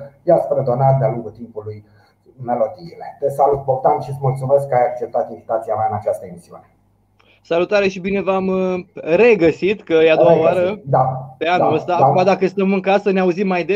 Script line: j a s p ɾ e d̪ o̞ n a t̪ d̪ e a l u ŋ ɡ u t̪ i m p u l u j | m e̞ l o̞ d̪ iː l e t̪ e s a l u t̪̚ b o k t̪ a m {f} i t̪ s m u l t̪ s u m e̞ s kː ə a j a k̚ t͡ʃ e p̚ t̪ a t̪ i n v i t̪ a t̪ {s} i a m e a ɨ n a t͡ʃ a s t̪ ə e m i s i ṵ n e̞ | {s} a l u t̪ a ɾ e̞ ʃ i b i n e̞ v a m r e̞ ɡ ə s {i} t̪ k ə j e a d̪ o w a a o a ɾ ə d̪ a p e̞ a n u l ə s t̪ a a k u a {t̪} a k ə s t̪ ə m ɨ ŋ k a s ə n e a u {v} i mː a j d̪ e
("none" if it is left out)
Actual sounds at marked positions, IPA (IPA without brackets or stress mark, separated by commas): ʃ, s, s, i, d̪, z